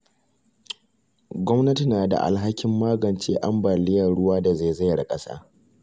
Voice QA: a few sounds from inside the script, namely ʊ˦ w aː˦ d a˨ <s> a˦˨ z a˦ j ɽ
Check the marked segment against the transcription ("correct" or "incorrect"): incorrect